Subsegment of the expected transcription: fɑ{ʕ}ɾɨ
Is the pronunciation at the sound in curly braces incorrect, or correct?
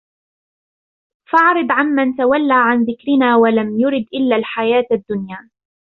correct